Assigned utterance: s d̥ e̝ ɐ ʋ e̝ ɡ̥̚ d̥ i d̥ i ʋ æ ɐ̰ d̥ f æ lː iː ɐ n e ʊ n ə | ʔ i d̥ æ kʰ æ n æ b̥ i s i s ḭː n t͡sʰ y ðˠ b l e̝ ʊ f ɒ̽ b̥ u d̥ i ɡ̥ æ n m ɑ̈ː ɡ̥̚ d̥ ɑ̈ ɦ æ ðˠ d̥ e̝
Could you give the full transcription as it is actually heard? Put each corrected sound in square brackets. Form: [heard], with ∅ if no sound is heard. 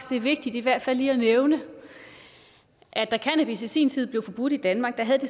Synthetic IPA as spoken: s d̥ e̝ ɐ ʋ e̝ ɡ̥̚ d̥ i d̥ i ʋ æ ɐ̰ d̥ f æ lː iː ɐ n e ʊ n ə | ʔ [æ] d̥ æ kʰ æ n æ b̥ i s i s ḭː n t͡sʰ [i] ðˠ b l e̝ ʊ f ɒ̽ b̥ u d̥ i [d̥] æ n m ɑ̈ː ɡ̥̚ d̥ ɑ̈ ɦ æ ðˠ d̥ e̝